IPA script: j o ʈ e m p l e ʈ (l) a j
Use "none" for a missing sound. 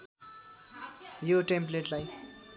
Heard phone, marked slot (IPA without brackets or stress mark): l